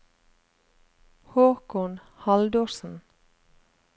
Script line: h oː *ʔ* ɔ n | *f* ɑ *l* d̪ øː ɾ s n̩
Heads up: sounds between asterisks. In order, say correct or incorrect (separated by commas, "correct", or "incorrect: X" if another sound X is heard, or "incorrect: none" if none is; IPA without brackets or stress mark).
incorrect: k, incorrect: h, correct